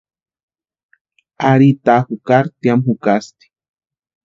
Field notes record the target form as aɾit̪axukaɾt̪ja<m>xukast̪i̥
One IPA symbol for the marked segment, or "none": m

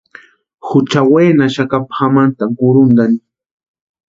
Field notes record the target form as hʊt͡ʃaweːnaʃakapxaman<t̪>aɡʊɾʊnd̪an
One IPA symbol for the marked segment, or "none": t̪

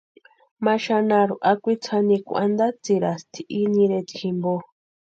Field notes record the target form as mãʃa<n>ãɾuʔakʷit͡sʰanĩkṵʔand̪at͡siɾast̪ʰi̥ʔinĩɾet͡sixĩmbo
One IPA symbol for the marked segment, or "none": n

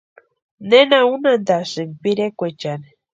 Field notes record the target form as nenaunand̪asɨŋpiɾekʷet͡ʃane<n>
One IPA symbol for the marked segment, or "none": none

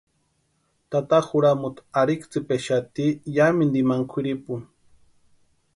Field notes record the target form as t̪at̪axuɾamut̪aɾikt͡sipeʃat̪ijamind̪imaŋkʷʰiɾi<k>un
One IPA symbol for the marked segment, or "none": p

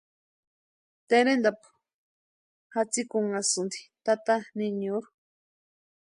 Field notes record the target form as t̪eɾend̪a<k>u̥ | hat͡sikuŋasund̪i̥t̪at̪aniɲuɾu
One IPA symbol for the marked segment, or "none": p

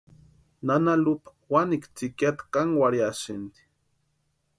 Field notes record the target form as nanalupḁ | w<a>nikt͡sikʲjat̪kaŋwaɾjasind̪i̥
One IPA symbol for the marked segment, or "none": a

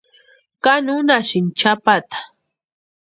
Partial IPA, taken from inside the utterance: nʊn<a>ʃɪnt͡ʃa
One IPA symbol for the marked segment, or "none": a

